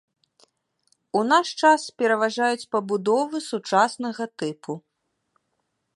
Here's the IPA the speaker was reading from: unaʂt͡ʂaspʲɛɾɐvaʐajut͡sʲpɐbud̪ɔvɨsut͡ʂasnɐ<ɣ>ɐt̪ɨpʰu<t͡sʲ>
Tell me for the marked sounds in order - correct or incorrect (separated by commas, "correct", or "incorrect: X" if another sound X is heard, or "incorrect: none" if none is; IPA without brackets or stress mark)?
correct, incorrect: none